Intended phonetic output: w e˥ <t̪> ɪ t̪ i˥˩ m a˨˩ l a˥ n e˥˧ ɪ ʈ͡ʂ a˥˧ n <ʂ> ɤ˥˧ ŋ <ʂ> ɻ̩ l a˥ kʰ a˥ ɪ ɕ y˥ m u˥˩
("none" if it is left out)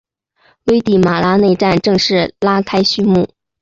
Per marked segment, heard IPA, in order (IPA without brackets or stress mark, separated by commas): none, ʈ͡ʂ, ʂ